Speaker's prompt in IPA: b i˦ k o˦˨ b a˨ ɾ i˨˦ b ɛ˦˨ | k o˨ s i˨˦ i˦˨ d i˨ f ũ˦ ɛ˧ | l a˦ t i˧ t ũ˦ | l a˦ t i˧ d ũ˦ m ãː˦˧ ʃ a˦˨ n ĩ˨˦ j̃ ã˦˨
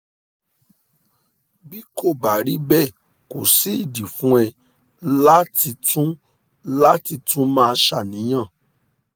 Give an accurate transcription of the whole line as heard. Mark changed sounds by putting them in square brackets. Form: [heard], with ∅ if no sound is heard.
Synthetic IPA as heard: b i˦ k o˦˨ b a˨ ɾ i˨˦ b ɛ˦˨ | k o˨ s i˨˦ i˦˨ d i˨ f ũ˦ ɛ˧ | l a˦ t i˧ t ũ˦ | l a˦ t i˧ [t] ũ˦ m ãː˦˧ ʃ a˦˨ n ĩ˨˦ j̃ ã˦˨